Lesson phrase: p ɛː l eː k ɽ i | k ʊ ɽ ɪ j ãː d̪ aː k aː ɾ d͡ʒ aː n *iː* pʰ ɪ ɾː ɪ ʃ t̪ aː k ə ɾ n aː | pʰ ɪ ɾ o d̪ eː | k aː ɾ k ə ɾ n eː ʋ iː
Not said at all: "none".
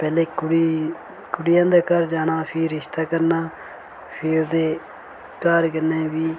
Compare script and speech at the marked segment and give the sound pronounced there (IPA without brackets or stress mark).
aː